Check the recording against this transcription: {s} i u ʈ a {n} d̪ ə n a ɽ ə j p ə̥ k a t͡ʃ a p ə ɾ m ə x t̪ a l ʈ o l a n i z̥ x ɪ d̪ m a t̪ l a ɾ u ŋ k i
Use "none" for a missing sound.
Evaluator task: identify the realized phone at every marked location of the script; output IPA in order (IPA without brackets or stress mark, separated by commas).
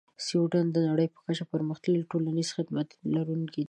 s, n